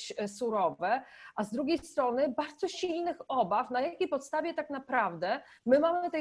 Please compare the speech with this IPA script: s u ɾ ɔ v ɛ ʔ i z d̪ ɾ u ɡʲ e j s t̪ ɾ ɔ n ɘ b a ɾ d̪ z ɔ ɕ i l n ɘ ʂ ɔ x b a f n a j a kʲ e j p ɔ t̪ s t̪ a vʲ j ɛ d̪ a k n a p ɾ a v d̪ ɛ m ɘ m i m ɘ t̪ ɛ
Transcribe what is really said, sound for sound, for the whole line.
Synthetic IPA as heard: s u ɾ ɔ v ɛ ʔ a z d̪ ɾ u ɡʲ e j s t̪ ɾ ɔ n ɘ b a ɾ d̪ z ɔ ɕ i l n ɘ x ɔ b a f n a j a kʲ e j p ɔ t̪ s t̪ a vʲ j ɛ t̪ a k n a p ɾ a v d̪ ɛ m ɘ m a m ɘ t̪ ɛ